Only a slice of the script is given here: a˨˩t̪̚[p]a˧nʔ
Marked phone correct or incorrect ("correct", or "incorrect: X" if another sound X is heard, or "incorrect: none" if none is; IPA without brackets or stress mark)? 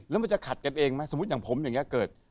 incorrect: k